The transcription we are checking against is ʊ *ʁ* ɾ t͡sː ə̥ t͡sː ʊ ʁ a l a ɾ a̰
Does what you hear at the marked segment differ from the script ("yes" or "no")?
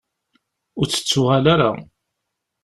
yes